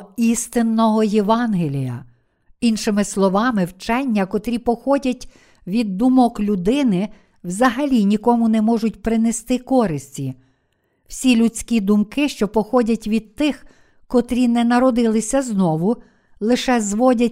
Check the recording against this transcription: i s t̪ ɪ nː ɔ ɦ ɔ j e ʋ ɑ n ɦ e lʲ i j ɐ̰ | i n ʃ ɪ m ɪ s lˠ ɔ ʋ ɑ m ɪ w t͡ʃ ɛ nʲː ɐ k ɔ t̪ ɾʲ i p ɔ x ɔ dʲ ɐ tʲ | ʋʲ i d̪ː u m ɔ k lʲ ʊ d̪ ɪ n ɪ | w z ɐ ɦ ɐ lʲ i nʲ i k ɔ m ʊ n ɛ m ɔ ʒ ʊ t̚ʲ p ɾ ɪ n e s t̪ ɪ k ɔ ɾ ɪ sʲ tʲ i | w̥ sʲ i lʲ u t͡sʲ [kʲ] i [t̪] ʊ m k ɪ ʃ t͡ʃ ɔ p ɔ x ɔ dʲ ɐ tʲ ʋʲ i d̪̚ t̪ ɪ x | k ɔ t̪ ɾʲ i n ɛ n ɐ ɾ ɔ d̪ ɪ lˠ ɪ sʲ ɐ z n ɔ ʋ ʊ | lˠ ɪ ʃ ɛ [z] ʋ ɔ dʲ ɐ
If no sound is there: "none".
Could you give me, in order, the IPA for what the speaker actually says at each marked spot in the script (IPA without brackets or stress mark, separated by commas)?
kʲ, d̪, z